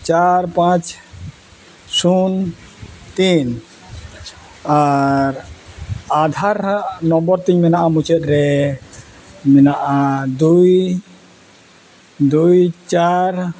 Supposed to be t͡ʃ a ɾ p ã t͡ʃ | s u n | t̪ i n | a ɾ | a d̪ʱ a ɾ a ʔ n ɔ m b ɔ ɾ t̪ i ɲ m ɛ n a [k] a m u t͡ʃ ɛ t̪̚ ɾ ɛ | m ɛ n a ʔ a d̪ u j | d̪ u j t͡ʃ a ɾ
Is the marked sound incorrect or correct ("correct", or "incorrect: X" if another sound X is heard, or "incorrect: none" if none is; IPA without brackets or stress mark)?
incorrect: ʔ